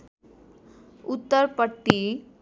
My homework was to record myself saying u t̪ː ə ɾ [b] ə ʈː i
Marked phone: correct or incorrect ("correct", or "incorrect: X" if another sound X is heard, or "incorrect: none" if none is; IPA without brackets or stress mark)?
incorrect: p